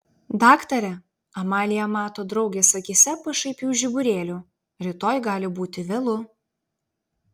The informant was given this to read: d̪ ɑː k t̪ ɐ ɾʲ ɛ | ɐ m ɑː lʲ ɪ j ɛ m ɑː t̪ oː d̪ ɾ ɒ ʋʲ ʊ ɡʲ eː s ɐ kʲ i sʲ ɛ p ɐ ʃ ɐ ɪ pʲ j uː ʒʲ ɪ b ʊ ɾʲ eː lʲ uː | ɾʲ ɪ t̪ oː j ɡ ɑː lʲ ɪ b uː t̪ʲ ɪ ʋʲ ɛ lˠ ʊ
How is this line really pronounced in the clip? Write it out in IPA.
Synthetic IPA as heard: d̪ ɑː k t̪ ɐ ɾʲ ɛ | ɐ m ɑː lʲ ɪ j ɛ m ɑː t̪ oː d̪ ɾ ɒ ʊ ɡʲ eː s ɐ kʲ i sʲ ɛ p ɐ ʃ ɐ ɪ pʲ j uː ʒʲ ɪ b ʊ ɾʲ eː lʲ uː | ɾʲ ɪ t̪ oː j ɡ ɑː lʲ ɪ b uː t̪ʲ ɪ ʋʲ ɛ lˠ ʊ